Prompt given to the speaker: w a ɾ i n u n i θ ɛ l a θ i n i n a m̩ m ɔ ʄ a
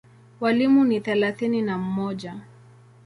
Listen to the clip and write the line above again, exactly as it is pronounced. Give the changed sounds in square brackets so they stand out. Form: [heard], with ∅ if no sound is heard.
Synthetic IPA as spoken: w a [l] i [m] u n i θ ɛ l a θ i n i n a m̩ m ɔ ʄ a

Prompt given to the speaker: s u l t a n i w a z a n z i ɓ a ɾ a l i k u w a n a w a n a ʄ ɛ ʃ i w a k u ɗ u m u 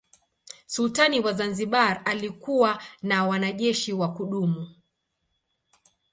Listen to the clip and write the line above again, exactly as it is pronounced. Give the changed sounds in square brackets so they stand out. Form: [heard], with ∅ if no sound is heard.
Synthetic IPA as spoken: s u l t a n i w a z a n z i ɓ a ɾ a l i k u w a n a w a n a ʄ ɛ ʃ i w a k u ɗ u m u

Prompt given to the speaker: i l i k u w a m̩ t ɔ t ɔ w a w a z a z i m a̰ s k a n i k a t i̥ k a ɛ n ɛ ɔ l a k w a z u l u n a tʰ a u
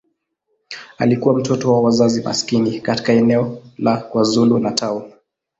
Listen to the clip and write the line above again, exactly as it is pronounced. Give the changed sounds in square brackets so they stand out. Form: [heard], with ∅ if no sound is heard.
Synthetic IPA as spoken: [a] l i k u w a m̩ t ɔ t ɔ w a w a z a z i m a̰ s k [i] n i k a t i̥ k a ɛ n ɛ ɔ l a k w a z u l u n a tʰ a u

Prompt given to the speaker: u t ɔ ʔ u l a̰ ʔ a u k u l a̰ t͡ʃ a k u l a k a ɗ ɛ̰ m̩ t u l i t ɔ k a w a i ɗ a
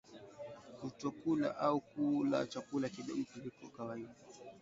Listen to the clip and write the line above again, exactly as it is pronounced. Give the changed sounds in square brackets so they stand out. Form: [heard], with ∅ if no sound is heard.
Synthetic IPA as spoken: u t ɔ [k] u l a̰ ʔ a u k u l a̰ t͡ʃ a k u l a k [i] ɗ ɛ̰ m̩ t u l i [k] ɔ k a w a i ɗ a

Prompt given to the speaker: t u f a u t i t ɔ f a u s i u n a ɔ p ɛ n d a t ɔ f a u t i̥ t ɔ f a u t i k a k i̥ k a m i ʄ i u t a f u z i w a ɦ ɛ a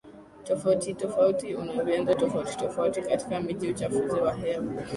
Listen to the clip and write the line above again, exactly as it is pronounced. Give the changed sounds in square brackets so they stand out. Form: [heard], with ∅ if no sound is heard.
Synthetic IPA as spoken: t [ɔ] f a u t i t ɔ f a u [t] i u n a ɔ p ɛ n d a t ɔ f a u t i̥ t ɔ f a u t i k a [t] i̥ k a m i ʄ i u [t͡ʃ] a f u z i w a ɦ ɛ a

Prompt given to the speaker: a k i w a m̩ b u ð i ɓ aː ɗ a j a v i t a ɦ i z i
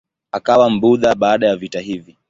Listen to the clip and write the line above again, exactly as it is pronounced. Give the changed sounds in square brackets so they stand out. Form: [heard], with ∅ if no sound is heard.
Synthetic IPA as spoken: a k [a] w a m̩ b u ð [a] ɓ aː ɗ a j a v i t a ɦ i [v] i

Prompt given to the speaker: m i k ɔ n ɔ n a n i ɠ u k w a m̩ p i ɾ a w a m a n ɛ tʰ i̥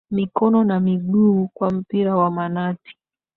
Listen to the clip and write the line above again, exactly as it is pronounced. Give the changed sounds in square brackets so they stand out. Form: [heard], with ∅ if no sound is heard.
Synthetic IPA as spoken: m i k ɔ n ɔ n a [m] i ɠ u k w a m̩ p i ɾ a w a m a n [a] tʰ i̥

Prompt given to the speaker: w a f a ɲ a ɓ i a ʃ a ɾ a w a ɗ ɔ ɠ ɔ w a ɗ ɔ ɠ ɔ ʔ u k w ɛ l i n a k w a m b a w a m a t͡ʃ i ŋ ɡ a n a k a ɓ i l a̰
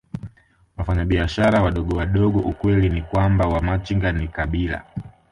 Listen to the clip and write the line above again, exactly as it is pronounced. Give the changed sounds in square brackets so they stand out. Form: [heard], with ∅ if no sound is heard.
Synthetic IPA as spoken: w a f a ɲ a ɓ i a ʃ a ɾ a w a ɗ ɔ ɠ ɔ w a ɗ ɔ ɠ ɔ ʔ u k w ɛ l i n [i] k w a m b a w a m a t͡ʃ i ŋ ɡ a n [i] k a ɓ i l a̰

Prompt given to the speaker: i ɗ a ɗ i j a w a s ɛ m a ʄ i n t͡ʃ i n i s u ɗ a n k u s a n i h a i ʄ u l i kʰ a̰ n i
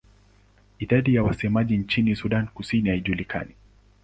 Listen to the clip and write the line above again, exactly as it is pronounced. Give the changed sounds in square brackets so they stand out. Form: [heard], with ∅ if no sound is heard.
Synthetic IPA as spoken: i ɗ a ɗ i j a w a s ɛ m a ʄ i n t͡ʃ i n i s u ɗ a n k u s [i] n i h a i ʄ u l i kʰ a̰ n i

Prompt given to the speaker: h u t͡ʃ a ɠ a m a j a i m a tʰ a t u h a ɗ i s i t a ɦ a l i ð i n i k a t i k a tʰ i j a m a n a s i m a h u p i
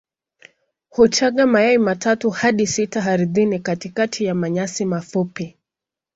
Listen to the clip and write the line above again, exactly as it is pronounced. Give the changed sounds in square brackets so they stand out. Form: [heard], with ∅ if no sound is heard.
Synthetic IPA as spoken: h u t͡ʃ a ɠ a m a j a i m a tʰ a t u h a ɗ i s i t a ɦ a [ɾ] i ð i n i k a t i k a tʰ i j a m a [ɲ] a s i m a [f] u p i

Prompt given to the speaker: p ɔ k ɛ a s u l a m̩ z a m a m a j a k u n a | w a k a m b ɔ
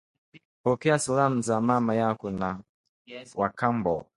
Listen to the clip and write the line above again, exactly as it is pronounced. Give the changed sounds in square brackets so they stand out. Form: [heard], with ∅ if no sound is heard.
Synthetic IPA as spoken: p ɔ k ɛ a s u l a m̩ z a m a m a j a k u n a | w a k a m b ɔ

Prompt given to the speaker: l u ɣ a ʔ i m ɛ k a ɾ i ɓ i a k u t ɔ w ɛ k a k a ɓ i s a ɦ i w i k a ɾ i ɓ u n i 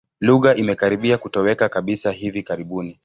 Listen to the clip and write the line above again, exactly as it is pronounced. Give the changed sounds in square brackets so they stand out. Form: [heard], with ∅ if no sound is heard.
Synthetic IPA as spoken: l u ɣ a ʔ i m ɛ k a ɾ i ɓ i a k u t ɔ w ɛ k a k a ɓ i s a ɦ i [v] i k a ɾ i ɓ u n i

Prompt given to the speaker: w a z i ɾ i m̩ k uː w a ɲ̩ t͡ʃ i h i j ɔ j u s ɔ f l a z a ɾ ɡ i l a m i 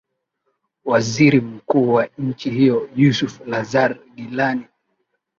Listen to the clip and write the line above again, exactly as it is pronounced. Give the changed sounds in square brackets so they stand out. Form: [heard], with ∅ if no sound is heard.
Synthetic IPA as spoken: w a z i ɾ i m̩ k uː w a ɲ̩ t͡ʃ i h i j ɔ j u s [u] f l a z a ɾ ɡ i l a [n] i

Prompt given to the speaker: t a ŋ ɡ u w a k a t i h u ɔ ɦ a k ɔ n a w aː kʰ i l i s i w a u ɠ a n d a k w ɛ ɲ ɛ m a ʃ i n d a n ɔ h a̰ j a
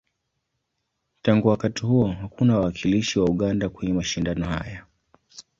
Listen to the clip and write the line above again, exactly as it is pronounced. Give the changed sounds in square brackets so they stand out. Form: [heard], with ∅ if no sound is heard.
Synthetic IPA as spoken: t a ŋ ɡ u w a k a t i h u ɔ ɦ a k [u] n a w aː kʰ i l i [ʃ] i w a u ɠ a n d a k w ɛ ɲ ɛ m a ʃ i n d a n ɔ h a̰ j a

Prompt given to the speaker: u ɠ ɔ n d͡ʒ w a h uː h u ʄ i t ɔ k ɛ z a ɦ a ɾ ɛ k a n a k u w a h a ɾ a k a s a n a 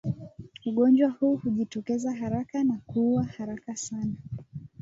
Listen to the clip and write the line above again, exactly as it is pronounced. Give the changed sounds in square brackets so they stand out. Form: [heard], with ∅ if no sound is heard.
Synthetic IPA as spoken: u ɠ ɔ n d͡ʒ w a h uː h u ʄ i t ɔ k ɛ z a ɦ a ɾ [a] k a n a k u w a h a ɾ a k a s a n a

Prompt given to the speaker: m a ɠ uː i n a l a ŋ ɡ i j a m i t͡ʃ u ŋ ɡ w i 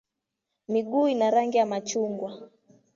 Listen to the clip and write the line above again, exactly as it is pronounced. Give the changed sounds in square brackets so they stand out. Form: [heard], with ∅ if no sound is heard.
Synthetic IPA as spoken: m [i] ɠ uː i n a [ɾ] a ŋ ɡ i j a m [a] t͡ʃ u ŋ ɡ w [a]

